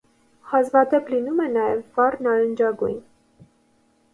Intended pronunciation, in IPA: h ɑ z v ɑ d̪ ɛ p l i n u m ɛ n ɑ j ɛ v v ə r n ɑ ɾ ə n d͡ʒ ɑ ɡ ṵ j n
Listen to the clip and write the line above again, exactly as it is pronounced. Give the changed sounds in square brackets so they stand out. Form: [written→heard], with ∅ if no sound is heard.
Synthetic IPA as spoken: h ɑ z v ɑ d̪ ɛ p l i n u m ɛ n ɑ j ɛ v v [ə→ɑ] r n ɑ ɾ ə n d͡ʒ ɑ ɡ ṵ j n